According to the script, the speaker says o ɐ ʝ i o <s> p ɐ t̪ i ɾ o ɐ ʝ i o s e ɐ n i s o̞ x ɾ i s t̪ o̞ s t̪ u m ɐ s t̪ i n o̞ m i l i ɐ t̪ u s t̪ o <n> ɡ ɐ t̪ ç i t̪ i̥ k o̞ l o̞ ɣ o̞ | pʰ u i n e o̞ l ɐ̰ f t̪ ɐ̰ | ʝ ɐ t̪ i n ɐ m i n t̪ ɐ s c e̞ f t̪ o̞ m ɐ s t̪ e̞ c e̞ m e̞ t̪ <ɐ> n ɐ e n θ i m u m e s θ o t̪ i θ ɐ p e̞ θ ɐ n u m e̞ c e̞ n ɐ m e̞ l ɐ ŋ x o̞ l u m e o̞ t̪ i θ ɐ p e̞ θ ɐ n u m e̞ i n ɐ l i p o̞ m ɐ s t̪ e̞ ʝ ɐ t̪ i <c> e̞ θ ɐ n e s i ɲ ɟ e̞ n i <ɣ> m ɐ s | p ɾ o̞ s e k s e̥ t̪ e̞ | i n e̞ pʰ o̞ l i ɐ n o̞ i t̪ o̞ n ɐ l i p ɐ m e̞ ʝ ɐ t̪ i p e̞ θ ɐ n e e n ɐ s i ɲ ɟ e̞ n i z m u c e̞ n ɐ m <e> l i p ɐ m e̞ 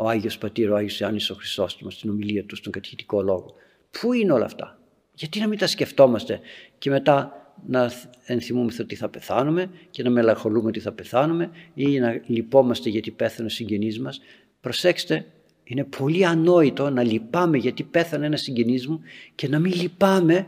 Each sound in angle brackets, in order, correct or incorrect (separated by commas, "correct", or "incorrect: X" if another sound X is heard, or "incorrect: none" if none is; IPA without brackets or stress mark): correct, incorrect: ŋ, correct, incorrect: p, incorrect: z, incorrect: i